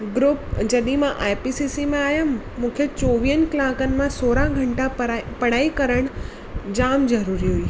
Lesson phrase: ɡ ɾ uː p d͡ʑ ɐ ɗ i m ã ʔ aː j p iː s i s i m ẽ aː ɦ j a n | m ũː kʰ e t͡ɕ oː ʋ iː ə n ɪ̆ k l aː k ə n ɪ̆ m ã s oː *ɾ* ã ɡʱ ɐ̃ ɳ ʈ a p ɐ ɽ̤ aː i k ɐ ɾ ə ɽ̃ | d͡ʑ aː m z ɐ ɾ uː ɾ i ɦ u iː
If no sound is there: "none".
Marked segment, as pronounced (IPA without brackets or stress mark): ɾ